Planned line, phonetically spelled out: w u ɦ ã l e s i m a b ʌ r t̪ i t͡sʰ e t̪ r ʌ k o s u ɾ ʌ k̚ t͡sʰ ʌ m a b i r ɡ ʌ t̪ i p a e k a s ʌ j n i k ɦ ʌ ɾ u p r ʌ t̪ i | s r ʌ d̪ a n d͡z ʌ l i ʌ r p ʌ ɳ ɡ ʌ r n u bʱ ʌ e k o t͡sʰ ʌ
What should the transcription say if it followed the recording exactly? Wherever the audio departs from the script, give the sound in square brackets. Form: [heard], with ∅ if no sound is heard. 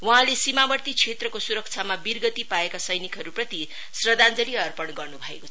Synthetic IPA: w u ɦ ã l e s i m a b ʌ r t̪ i t͡sʰ e t̪ r ʌ k o s u ɾ ʌ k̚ t͡sʰ [a] m a b i r ɡ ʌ t̪ i p a e k a s ʌ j n i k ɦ ʌ ɾ u p r ʌ t̪ i | s r ʌ d̪ a n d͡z ʌ l i ʌ r p ʌ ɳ ɡ ʌ r n u bʱ ʌ e k o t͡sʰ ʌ